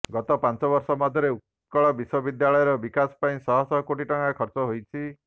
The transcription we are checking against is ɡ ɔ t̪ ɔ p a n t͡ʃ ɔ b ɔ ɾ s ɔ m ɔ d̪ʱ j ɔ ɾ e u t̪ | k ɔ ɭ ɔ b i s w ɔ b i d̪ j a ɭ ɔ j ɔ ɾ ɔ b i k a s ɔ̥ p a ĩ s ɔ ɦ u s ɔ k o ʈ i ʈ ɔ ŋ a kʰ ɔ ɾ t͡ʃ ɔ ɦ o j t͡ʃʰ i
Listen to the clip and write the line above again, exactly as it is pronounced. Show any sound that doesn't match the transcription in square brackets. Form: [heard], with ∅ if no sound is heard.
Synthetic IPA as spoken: ɡ ɔ t̪ ɔ p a n t͡ʃ ɔ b ɔ ɾ s ɔ m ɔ d̪ʱ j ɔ ɾ e u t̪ | k ɔ ɭ ɔ b i s w ɔ b i d̪ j a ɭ ɔ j ɔ ɾ ɔ b i k a s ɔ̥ p a ĩ s ɔ ɦ [ɔ] s ɔ k o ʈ i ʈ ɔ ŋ a kʰ ɔ ɾ t͡ʃ ɔ ɦ o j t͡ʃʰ i

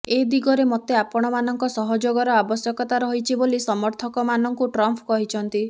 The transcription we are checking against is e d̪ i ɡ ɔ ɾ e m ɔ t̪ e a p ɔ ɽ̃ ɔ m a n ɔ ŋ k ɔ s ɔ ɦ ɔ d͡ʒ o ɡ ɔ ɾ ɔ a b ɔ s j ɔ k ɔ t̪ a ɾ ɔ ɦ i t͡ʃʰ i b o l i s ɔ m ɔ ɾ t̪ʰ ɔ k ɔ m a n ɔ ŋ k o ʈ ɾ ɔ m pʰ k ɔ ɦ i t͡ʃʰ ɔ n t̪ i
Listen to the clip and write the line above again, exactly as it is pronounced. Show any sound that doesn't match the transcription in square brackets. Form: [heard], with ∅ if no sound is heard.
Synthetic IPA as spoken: e d̪ i ɡ ɔ ɾ e m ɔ t̪ e a p ɔ ɽ̃ ɔ m a n ɔ ŋ k ɔ s ɔ ɦ ɔ d͡ʒ o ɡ ɔ ɾ ɔ a b ɔ s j ɔ k ɔ t̪ a ɾ ɔ ɦ i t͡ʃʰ i b o l i s ɔ m ɔ ɾ t̪ʰ ɔ k ɔ m a n ɔ ŋ k [u] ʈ ɾ ɔ m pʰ k ɔ ɦ i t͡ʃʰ ɔ n t̪ i

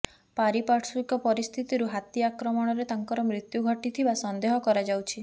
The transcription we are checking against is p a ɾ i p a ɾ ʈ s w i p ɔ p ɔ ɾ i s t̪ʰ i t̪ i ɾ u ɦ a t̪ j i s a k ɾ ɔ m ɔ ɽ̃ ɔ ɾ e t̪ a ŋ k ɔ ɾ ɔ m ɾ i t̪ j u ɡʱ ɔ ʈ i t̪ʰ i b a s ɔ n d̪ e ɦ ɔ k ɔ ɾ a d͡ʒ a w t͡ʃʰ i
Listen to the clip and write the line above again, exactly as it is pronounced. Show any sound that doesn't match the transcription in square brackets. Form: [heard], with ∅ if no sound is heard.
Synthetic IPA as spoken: p a ɾ i p a ɾ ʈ s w i [k] ɔ p ɔ ɾ i s t̪ʰ i t̪ i ɾ u ɦ a t̪ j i [∅] a k ɾ ɔ m ɔ ɽ̃ ɔ ɾ e t̪ a ŋ k ɔ ɾ ɔ m ɾ i t̪ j u ɡʱ ɔ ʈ i t̪ʰ i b a s ɔ n d̪ e ɦ ɔ k ɔ ɾ a d͡ʒ a w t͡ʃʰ i

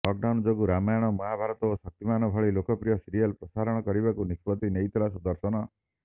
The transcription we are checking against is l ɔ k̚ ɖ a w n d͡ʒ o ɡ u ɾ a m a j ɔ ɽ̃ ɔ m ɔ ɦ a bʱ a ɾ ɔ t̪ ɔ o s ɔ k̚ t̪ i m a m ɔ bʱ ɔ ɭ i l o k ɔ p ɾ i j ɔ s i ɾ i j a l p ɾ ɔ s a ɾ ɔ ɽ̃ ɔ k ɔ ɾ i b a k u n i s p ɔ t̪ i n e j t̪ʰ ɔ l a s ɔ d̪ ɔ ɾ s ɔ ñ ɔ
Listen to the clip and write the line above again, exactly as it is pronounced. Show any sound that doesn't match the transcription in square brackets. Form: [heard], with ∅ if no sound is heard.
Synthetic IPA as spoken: l ɔ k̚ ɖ a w n d͡ʒ o ɡ u ɾ a m a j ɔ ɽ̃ ɔ m ɔ ɦ a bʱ a ɾ ɔ t̪ ɔ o s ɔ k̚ t̪ i m a [n] ɔ bʱ ɔ ɭ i l o k ɔ p ɾ i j ɔ s i ɾ i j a l p ɾ ɔ s a ɾ ɔ ɽ̃ ɔ k ɔ ɾ i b a k u n i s p ɔ t̪ i n e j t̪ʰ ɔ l a s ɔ d̪ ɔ ɾ s ɔ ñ ɔ

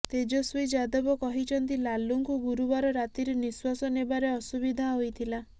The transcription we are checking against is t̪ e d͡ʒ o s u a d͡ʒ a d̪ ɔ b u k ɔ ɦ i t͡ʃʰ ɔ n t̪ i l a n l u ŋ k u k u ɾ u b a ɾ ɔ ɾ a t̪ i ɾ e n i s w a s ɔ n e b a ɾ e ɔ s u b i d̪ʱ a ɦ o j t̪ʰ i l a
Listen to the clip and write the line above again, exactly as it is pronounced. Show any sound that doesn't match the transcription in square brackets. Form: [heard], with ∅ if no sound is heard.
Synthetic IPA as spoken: t̪ e d͡ʒ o s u [i] d͡ʒ a d̪ ɔ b [ɔ] k ɔ ɦ i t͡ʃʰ ɔ n t̪ i l a [∅] l u ŋ k u [ɡ] u ɾ u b a ɾ ɔ ɾ a t̪ i ɾ e n i s w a s ɔ n e b a ɾ e ɔ s u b i d̪ʱ a ɦ o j t̪ʰ i l a

